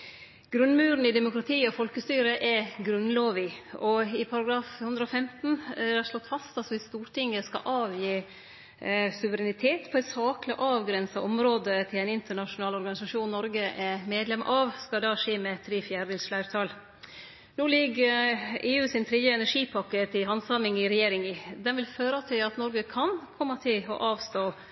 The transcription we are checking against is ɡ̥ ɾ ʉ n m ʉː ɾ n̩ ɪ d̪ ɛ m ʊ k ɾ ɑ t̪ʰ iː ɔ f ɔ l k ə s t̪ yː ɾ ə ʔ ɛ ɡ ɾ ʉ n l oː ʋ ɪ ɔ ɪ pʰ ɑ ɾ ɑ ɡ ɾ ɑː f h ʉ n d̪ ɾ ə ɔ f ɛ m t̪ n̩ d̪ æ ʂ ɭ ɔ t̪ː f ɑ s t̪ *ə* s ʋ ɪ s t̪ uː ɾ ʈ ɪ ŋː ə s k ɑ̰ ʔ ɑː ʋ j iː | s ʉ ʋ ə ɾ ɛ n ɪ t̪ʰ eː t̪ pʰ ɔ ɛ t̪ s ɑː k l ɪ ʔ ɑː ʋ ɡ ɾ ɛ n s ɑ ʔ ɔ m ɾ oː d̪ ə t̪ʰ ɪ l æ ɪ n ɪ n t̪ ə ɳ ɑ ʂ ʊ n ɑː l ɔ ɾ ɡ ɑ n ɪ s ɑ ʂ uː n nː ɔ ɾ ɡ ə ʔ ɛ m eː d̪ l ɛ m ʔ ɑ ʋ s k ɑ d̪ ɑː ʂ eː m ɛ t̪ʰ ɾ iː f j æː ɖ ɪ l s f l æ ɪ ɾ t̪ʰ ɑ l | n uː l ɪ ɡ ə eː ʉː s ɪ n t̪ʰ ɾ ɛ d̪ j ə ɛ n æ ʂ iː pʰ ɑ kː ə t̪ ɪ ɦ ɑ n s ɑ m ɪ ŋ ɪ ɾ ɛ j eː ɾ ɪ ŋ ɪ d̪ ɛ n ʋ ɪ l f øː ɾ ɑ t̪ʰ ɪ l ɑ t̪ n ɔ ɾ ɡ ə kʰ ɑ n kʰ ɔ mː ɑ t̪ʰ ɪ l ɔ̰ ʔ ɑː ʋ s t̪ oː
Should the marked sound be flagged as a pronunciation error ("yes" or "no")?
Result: yes